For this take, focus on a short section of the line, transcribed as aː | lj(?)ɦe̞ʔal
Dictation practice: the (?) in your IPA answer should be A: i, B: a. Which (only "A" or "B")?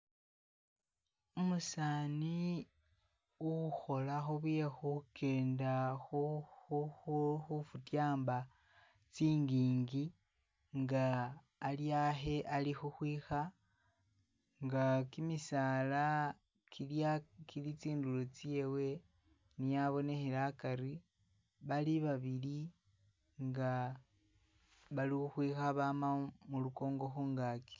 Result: B